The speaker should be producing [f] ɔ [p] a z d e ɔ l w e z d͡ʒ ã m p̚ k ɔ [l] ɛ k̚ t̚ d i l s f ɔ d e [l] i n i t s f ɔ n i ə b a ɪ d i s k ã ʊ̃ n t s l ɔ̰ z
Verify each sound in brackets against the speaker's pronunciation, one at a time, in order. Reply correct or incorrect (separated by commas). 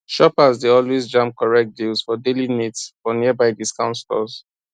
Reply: incorrect, correct, incorrect, correct